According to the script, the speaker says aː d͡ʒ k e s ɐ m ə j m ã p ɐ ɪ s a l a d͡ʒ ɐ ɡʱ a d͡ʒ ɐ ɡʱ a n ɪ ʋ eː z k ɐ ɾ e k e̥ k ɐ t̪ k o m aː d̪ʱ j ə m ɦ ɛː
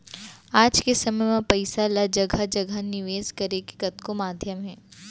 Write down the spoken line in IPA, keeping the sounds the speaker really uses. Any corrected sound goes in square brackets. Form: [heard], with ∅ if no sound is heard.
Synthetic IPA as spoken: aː d͡ʒ k e s ɐ m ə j m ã p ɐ ɪ s a l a d͡ʒ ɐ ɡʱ a d͡ʒ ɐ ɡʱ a n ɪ ʋ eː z k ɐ ɾ e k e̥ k ɐ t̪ k o m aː d̪ʱ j ə m ɦ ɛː